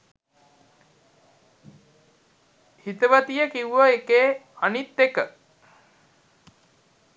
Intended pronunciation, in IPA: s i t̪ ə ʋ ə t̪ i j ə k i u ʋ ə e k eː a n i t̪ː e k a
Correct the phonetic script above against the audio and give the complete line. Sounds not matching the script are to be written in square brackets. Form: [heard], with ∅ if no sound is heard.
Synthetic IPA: [h] i t̪ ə ʋ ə t̪ i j ə k i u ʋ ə e k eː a n i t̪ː e k [ə]